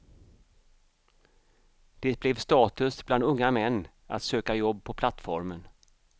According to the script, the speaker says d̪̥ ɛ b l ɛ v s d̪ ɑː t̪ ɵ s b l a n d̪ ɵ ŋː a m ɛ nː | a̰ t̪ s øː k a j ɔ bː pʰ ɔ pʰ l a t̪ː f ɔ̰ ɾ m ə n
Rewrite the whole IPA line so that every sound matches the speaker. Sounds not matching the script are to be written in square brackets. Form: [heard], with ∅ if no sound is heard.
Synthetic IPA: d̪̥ ɛ b l ɛ v s [t̪] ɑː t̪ ɵ s b l a n d̪ ɵ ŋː a m ɛ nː | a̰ t̪ s øː k a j ɔ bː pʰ ɔ pʰ l a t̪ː f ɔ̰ ɾ m ə n